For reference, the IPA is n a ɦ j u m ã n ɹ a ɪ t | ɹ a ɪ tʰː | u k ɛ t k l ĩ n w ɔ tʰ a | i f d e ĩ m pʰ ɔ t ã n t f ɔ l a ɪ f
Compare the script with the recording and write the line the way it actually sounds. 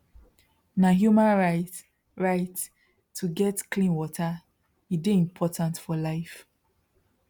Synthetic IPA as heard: n a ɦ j u m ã n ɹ a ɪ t | ɹ a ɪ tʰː | u ɡ ɛ t k l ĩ n w ɔ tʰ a | i d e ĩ m pʰ ɔ t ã n t f ɔ l a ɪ f